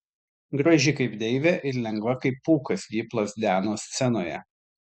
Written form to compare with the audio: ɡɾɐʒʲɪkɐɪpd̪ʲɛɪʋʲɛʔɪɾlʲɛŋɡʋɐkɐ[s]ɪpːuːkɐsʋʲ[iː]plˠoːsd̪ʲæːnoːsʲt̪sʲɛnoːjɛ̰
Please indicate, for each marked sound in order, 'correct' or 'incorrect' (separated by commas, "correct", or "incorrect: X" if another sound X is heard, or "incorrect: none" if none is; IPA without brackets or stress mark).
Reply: incorrect: none, correct